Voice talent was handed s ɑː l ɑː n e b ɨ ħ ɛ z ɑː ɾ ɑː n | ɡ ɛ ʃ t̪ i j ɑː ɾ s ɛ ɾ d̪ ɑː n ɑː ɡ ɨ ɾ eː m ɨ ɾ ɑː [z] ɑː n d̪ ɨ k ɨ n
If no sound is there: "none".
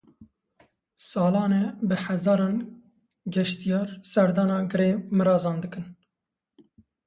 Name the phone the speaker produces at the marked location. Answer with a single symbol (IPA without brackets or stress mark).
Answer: z